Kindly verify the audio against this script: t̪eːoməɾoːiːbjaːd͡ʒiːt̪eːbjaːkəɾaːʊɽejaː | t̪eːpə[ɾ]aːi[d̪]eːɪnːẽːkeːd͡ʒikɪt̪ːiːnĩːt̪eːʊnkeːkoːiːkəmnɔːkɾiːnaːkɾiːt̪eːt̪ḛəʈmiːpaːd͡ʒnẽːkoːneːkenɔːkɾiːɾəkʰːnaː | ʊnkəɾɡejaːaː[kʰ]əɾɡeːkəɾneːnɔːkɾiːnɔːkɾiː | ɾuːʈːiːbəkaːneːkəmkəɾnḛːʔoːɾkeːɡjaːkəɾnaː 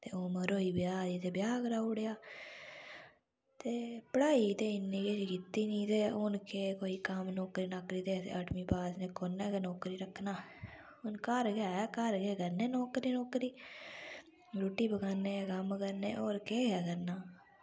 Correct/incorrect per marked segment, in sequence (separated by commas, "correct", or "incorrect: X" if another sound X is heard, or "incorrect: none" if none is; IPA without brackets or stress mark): incorrect: ɽ, incorrect: t̪, incorrect: k